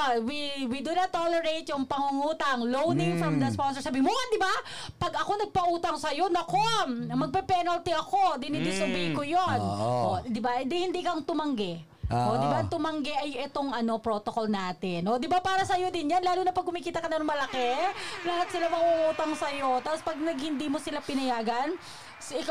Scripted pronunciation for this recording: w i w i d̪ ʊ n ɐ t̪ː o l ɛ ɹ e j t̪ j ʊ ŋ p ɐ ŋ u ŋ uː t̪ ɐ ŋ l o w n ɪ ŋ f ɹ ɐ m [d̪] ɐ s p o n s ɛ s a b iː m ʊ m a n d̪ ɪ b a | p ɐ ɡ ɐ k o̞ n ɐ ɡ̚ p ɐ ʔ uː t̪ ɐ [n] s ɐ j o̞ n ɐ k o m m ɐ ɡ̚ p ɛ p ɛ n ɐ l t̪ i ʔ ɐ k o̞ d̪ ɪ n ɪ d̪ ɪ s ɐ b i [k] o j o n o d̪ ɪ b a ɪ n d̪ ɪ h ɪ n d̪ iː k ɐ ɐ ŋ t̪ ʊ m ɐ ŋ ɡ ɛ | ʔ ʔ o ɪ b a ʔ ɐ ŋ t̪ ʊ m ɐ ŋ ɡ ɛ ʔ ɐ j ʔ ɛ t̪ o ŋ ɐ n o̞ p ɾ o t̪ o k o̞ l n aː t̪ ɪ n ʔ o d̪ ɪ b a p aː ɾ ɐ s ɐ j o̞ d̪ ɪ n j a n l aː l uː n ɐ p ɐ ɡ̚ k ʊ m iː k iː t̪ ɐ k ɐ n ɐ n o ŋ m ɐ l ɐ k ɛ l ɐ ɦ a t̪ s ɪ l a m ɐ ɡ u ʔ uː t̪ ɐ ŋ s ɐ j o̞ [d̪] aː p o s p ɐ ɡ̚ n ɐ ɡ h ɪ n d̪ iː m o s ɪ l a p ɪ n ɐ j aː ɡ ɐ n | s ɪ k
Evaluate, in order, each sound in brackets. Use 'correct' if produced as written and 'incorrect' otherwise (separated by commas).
correct, incorrect, correct, incorrect